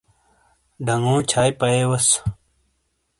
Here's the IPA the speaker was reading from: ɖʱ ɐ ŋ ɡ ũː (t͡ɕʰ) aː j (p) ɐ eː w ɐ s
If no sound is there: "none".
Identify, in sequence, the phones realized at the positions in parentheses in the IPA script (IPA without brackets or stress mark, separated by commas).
t͡ɕʰ, p